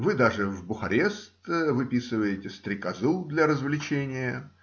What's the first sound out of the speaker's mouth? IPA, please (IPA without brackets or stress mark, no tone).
v